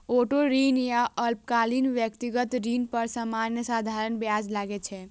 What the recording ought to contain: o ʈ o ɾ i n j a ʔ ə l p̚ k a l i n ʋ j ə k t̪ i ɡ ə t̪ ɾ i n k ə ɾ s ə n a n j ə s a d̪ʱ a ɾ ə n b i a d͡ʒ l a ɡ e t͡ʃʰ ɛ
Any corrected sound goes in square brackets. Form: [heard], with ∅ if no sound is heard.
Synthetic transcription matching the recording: o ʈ o ɾ i n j a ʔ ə l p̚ k a l i n ʋ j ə k t̪ i ɡ ə t̪ ɾ i n [p] ə ɾ s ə [m] a n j ə s a d̪ʱ a ɾ ə n b [j] a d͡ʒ l a ɡ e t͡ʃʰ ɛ